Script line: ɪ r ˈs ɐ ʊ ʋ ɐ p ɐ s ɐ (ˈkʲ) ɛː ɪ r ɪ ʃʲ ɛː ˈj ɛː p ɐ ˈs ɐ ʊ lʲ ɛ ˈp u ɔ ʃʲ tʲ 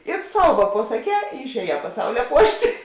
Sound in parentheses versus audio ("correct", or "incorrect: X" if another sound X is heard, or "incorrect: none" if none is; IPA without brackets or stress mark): correct